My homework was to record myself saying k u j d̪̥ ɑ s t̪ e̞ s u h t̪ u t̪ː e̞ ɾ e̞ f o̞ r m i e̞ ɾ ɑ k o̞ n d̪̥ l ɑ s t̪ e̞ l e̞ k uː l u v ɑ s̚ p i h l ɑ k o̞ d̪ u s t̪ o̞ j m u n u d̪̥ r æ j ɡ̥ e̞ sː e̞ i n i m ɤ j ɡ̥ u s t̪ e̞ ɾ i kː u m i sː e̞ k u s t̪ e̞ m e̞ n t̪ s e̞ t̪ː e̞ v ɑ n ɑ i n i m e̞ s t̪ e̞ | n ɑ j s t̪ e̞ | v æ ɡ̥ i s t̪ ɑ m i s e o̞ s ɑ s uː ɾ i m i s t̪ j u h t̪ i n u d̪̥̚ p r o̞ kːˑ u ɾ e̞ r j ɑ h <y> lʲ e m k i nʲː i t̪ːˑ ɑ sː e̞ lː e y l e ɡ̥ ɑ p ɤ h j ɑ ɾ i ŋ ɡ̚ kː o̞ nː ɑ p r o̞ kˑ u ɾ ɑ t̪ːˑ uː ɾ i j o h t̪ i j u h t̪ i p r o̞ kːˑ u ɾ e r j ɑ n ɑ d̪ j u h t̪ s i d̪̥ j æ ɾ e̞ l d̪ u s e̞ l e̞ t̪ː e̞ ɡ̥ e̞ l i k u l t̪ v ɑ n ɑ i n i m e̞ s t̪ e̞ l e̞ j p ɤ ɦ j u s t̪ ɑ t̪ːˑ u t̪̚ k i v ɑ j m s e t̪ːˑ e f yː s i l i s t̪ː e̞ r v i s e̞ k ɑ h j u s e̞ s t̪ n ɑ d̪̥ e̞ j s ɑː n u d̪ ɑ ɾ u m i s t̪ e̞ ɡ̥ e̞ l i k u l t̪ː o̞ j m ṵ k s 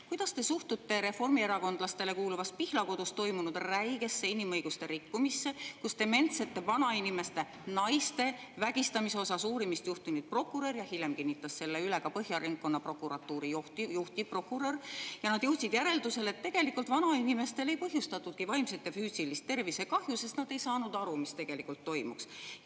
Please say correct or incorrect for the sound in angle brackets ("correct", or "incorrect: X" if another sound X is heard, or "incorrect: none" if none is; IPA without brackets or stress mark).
incorrect: i